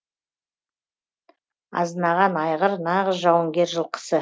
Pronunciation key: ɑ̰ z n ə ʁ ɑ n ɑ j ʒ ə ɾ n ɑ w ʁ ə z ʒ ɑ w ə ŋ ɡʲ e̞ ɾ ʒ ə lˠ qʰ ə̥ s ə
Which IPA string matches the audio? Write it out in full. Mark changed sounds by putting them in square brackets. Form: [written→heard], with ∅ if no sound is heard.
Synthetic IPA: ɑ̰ z n [ə→ɑ] ʁ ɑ n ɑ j [ʒ→ʁ] ə ɾ n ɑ [w→∅] ʁ ə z ʒ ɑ w ə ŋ ɡʲ e̞ ɾ ʒ ə lˠ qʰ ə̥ s ə